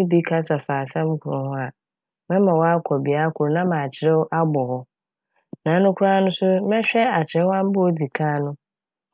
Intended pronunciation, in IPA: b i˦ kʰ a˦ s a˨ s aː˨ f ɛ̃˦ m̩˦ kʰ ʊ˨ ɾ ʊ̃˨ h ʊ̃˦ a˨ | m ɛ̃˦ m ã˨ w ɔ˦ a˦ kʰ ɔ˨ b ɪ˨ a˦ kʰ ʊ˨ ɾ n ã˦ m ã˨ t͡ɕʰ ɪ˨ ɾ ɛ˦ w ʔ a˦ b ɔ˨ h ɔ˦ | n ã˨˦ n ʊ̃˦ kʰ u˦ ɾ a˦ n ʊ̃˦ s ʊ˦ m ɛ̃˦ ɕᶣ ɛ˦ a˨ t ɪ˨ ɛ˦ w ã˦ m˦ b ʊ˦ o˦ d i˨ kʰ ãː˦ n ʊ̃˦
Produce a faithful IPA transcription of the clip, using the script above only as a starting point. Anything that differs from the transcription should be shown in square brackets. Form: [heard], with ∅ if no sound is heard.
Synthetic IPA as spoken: b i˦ kʰ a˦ s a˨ [f] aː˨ [s] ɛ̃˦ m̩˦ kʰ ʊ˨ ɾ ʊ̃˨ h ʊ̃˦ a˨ | m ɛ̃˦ m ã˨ w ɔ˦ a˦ kʰ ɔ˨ b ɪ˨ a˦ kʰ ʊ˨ ɾ n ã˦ m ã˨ t͡ɕʰ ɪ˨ ɾ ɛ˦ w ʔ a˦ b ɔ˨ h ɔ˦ | n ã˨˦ n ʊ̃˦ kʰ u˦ ɾ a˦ n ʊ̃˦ s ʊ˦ m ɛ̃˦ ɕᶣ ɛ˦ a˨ [t͡ɕʰ] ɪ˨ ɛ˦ w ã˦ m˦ b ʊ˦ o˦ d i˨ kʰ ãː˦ n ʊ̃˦